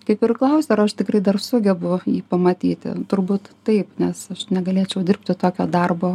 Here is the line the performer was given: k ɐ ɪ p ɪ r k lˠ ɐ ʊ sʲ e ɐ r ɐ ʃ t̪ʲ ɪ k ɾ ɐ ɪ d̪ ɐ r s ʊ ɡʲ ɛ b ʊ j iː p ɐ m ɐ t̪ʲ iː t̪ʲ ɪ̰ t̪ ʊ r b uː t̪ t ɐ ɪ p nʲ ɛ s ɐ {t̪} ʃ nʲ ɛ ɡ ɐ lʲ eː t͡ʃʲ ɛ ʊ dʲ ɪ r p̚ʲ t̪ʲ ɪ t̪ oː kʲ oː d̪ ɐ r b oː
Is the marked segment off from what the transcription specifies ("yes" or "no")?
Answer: yes